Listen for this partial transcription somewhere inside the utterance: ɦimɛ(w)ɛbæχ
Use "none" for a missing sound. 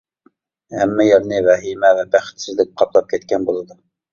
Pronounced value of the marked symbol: v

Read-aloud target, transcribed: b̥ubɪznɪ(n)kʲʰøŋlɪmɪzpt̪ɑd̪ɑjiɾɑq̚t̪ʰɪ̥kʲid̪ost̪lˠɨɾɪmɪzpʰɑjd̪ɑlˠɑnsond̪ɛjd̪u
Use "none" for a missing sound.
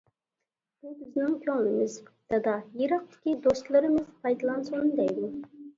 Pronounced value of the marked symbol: ŋ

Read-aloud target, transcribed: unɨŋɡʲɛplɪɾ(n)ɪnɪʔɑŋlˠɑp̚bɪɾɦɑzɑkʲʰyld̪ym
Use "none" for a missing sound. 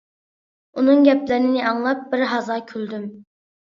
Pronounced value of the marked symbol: n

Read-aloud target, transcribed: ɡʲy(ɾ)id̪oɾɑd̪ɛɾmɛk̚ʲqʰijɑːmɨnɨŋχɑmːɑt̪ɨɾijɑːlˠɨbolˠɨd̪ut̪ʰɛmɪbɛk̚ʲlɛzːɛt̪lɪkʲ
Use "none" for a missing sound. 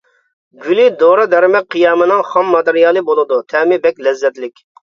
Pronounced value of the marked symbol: l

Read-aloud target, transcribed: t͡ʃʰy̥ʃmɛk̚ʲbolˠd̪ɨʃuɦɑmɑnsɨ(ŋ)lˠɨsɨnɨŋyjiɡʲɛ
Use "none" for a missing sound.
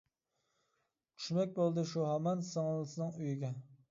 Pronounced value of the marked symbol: ŋ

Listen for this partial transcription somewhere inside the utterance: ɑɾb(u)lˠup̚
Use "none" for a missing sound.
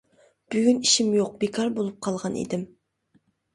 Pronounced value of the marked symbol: o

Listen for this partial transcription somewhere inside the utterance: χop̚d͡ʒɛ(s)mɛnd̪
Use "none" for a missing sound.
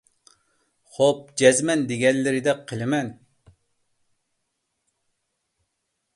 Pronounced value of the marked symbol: z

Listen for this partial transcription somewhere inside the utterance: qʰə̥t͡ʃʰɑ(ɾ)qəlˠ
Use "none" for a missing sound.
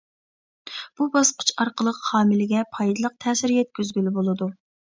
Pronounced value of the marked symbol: ɾ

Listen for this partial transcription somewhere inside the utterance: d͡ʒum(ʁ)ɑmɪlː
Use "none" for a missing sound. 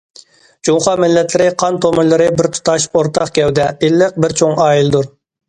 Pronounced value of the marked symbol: χ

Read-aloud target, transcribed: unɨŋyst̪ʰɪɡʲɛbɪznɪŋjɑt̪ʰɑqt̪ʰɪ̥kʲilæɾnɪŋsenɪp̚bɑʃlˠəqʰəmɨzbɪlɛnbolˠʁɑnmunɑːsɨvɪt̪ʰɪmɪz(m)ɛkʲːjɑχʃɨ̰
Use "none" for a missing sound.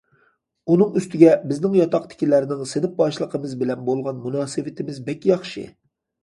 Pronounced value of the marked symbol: b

